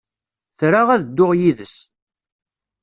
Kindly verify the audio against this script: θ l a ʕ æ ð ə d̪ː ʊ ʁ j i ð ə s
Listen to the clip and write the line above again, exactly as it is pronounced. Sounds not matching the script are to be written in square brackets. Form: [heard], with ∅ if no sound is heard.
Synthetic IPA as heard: θ [ɾ] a [ʁ] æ ð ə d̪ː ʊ ʁ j i ð ə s